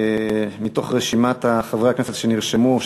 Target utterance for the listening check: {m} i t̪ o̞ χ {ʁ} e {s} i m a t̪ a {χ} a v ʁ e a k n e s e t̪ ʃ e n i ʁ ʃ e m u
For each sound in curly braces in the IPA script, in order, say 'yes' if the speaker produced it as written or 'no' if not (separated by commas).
yes, yes, no, yes